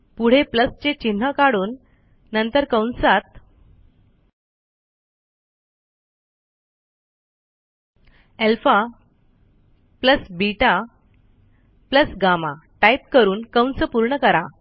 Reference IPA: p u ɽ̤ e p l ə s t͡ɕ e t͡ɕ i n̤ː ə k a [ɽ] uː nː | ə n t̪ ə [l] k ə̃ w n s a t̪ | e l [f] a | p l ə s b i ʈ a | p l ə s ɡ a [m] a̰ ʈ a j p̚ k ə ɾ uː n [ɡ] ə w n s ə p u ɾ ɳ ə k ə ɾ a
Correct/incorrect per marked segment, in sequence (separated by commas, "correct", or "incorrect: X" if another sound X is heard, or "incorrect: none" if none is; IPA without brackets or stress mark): correct, incorrect: ɾ, correct, correct, incorrect: k